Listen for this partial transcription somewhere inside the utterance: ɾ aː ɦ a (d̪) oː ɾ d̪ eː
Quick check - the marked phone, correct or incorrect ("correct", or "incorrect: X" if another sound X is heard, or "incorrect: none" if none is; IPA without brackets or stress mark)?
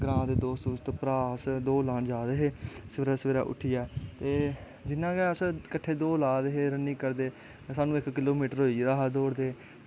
correct